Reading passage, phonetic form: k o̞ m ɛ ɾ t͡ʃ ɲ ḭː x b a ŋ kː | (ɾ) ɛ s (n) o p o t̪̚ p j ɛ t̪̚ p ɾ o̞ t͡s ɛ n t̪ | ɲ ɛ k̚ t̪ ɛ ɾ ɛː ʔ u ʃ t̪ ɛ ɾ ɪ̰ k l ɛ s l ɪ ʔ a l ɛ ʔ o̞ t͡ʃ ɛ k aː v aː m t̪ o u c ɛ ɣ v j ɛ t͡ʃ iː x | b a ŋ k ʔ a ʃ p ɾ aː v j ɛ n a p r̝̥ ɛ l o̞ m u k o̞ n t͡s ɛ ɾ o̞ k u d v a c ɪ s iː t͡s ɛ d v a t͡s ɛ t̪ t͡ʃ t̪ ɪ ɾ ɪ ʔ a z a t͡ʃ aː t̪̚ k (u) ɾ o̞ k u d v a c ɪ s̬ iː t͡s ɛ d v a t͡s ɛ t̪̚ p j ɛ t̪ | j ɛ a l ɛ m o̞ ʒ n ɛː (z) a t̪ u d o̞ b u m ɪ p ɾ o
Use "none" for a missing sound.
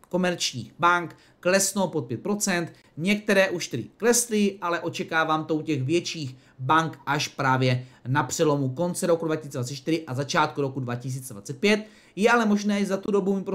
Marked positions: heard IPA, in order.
l, n, u, z

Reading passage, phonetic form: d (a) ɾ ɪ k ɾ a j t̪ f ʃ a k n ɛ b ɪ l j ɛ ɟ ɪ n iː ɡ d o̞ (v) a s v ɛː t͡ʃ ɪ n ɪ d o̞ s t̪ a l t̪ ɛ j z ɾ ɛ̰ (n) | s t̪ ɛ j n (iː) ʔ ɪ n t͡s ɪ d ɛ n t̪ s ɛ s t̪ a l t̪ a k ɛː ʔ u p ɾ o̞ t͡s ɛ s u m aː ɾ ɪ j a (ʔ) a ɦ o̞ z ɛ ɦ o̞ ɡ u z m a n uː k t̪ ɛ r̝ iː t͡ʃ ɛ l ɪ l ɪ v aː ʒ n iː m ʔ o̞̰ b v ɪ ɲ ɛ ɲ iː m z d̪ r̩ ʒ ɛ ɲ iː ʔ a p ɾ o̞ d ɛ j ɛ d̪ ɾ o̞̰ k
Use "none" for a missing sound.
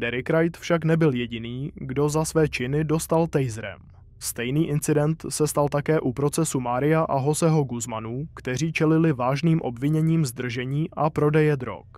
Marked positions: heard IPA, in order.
ɛ, z, m, iː, ʔ

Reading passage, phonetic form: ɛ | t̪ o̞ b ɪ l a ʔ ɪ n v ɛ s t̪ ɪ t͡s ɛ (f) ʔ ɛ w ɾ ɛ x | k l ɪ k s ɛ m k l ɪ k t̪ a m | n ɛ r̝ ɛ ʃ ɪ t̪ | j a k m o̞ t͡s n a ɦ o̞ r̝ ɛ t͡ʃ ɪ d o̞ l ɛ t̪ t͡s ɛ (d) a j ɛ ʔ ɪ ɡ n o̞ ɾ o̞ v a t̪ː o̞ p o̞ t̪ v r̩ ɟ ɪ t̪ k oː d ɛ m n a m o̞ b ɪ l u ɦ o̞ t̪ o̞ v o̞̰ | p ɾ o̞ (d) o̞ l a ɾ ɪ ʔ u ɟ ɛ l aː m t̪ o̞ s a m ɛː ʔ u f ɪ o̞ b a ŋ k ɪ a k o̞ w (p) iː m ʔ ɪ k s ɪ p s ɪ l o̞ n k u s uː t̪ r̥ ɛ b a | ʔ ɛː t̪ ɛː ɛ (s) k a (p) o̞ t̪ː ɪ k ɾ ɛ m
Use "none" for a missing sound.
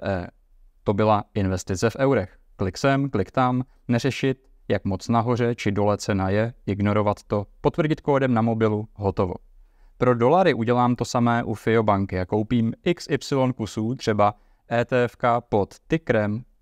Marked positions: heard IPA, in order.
f, n, d, p, f, p

